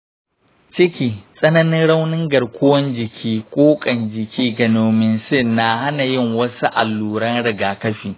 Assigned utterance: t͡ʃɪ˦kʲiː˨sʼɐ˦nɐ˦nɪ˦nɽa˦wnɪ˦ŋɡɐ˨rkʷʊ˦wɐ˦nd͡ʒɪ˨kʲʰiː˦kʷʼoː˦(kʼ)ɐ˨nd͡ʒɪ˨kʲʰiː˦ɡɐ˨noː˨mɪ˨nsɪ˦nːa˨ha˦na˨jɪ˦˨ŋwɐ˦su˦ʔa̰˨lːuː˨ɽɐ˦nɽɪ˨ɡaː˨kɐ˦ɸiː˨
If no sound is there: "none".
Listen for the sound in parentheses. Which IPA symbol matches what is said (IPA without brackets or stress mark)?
kʼ